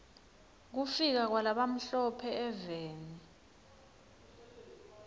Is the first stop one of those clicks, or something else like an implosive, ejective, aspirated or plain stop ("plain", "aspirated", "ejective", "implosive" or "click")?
plain